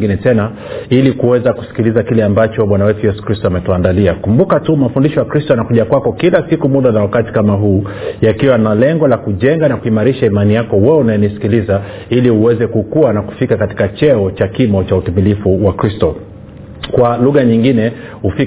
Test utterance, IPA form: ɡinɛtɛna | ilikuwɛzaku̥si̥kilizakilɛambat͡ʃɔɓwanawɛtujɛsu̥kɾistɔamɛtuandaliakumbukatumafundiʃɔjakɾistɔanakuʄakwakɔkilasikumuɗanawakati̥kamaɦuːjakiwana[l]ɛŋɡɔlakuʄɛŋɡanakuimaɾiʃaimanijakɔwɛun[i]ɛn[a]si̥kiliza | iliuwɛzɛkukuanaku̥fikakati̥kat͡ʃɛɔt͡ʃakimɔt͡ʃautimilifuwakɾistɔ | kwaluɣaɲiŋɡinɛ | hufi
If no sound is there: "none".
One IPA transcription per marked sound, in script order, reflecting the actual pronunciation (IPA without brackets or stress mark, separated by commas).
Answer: l, a, i